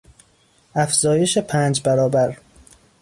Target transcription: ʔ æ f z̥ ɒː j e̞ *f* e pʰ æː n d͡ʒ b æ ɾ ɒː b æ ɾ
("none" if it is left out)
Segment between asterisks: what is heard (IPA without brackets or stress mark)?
ʃ